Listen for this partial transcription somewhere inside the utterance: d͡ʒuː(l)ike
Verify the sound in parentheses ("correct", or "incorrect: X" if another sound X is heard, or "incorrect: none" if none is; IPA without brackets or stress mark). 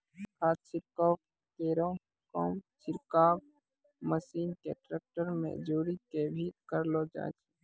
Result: incorrect: ɾ